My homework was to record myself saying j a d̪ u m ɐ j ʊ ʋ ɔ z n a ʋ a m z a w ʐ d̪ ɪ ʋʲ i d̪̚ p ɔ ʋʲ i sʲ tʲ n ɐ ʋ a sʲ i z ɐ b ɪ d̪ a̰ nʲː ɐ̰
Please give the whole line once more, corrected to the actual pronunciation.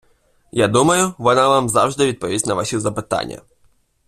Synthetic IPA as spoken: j a d̪ u m ɐ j ʊ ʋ ɔ n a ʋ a m z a w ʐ d̪ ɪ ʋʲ i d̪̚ p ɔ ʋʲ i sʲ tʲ n ɐ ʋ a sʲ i z ɐ p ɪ t̪ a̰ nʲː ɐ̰